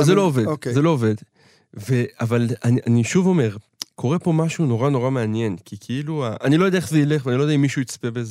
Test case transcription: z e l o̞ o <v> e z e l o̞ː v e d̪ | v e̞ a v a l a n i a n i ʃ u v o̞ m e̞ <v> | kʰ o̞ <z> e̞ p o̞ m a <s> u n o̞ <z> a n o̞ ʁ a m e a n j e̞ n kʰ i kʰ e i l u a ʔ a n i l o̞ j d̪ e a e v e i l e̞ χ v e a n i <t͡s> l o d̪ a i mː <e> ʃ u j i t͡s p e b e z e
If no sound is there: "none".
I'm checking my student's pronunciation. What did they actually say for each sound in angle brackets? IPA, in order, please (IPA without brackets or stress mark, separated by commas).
v, ʁ, ʁ, ʃ, ʁ, none, i